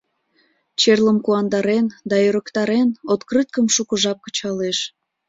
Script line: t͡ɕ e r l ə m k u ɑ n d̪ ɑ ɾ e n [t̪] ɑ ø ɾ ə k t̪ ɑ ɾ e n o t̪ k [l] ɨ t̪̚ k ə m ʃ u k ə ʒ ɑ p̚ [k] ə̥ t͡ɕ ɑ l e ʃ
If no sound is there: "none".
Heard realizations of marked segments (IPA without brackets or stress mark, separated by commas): d̪, r, k